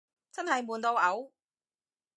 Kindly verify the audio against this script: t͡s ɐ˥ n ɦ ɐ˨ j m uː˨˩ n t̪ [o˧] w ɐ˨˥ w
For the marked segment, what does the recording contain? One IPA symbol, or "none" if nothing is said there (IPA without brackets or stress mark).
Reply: o˧